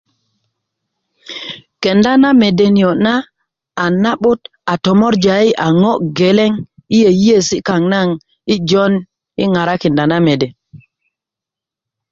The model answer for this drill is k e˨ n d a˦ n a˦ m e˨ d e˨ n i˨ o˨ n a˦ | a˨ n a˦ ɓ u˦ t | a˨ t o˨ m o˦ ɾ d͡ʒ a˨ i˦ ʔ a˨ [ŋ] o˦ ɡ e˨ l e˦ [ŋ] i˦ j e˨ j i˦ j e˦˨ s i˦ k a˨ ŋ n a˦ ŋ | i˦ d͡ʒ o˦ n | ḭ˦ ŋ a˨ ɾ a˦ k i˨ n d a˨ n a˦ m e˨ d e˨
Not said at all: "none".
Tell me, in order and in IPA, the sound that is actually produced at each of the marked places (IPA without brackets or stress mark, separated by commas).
ŋ, ŋ